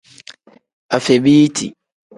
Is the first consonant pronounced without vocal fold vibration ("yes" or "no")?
yes